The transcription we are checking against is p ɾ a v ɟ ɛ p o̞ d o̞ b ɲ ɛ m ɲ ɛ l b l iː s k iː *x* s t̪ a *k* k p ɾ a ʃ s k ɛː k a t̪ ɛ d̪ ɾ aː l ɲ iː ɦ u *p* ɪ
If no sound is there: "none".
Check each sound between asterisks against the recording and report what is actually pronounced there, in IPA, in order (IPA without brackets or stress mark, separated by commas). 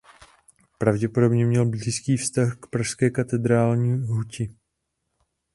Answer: f, x, c